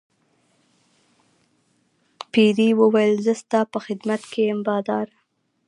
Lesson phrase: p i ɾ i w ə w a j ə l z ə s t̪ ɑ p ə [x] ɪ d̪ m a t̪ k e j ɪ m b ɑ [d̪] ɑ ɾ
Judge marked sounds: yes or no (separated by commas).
yes, yes